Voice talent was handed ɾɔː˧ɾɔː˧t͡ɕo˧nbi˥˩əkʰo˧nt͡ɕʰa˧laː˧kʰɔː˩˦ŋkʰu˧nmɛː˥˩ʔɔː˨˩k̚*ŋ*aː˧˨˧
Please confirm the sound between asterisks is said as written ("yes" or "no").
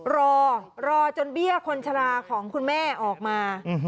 no